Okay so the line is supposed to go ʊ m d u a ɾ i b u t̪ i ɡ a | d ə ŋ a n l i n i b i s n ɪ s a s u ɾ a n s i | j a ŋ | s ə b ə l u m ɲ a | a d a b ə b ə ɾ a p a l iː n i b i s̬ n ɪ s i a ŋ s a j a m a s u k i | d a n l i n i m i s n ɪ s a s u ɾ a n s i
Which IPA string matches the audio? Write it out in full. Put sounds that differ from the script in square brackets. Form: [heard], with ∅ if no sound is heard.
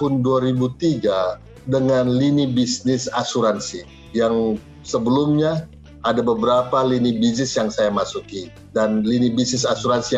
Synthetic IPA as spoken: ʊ [n] d u a ɾ i b u t̪ i ɡ a | d ə ŋ a n l i n i b i s n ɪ s a s u ɾ a n s i | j a ŋ | s ə b ə l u m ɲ a | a d a b ə b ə ɾ a p a l [i] n i b i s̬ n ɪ s [j] a ŋ s a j a m a s u k i | d a n l i n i [b] i s n ɪ s a s u ɾ a n s i